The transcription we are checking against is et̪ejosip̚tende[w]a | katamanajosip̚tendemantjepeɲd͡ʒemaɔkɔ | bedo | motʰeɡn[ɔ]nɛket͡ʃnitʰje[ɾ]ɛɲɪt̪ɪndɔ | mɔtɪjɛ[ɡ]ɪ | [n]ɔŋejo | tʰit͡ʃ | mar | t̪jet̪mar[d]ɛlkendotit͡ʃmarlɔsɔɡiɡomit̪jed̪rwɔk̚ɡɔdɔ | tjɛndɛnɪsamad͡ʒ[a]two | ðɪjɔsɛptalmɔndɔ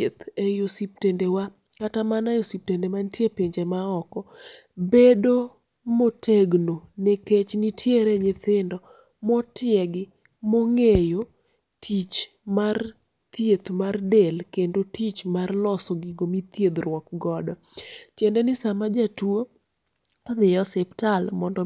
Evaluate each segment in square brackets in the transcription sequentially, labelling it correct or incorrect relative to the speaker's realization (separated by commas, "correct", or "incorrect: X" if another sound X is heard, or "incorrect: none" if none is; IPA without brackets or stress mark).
correct, incorrect: o, correct, correct, incorrect: m, correct, correct